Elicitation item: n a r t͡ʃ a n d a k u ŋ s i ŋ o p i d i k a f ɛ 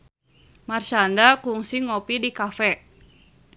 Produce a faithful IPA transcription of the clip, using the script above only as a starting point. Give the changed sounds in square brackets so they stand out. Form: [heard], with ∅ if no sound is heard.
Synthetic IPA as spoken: [m] a r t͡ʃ a n d a k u ŋ s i ŋ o p i d i k a f ɛ